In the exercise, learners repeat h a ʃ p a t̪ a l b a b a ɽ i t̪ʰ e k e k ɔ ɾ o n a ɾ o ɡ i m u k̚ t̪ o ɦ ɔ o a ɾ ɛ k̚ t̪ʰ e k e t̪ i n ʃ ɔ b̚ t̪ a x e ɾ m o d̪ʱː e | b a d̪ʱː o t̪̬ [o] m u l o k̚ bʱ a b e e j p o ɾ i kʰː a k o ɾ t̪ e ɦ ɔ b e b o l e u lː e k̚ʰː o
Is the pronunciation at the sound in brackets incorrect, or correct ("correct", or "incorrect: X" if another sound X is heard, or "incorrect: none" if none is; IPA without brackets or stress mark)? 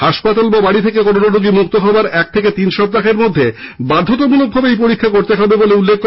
correct